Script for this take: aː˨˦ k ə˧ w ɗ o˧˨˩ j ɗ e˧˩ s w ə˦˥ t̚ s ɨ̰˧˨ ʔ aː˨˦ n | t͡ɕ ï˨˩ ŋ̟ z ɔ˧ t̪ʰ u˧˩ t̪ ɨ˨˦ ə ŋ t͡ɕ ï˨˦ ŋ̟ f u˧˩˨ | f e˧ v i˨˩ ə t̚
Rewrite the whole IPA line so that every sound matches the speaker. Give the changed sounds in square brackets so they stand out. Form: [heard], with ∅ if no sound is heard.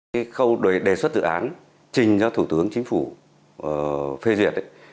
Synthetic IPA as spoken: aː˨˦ [x] ə˧ w ɗ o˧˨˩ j ɗ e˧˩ s w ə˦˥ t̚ [z] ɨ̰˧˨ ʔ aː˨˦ n | t͡ɕ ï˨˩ ŋ̟ z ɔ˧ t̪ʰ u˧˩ t̪ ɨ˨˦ ə ŋ t͡ɕ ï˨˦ ŋ̟ f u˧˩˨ | f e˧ [z] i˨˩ ə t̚